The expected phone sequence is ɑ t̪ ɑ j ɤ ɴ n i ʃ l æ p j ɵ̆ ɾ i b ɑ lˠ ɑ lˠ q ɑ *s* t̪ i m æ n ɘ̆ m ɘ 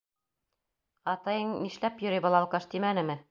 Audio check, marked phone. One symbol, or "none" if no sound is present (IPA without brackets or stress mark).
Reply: ʃ